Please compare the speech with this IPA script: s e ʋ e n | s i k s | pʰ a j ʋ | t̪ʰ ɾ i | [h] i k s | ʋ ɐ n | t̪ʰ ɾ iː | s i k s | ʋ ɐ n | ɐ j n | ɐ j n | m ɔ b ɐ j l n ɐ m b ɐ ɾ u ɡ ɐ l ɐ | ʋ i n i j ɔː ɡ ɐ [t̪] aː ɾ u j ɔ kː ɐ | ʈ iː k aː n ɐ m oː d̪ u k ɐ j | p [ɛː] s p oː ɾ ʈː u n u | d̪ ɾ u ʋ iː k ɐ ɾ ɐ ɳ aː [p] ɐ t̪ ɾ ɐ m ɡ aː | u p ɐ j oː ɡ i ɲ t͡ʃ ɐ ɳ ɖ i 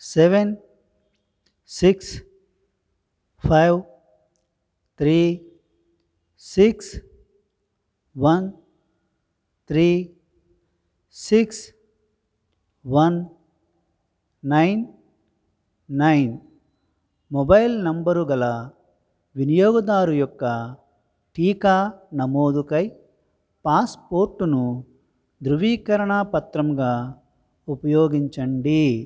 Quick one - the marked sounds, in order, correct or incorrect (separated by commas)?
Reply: incorrect, incorrect, incorrect, correct